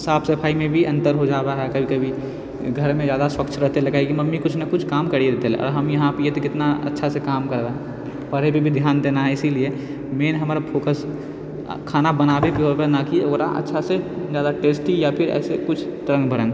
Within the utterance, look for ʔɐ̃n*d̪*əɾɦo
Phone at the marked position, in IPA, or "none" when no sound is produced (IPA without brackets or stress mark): t̪